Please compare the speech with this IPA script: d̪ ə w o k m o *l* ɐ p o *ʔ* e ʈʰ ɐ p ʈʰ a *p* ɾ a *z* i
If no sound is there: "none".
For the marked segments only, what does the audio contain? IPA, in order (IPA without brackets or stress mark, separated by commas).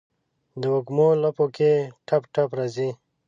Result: l, k, p, z